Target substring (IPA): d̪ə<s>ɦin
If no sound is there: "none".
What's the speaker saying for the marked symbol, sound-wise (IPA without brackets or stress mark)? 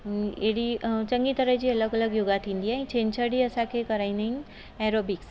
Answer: none